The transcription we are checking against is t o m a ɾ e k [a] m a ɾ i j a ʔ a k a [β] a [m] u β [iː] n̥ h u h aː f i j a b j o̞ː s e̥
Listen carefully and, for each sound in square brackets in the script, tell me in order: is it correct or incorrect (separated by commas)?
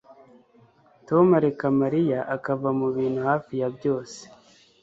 correct, incorrect, correct, correct